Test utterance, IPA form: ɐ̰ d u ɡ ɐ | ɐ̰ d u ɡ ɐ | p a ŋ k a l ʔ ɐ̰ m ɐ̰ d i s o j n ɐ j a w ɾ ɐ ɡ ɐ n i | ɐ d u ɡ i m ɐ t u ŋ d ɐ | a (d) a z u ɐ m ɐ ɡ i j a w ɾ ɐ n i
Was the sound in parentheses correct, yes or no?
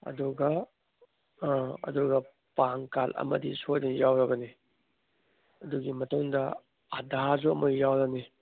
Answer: yes